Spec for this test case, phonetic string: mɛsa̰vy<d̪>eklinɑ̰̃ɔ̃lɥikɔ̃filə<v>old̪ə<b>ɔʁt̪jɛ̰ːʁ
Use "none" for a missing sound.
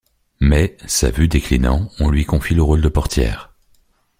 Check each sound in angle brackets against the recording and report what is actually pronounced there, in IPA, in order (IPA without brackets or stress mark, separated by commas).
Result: d̪, ʁ, p